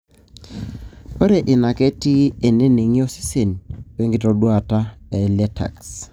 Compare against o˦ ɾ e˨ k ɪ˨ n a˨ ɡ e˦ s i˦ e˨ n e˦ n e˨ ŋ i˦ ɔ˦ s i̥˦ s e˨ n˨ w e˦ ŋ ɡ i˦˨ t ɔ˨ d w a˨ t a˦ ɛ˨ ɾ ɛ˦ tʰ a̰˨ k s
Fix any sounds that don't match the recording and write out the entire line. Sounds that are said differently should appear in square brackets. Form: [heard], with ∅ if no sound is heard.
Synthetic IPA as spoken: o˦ ɾ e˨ [ʔ] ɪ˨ n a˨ [k] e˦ [t] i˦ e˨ n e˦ n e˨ ŋ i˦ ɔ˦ s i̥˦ s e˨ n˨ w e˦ ŋ ɡ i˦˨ t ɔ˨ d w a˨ t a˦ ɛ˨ [l] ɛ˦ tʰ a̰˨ k s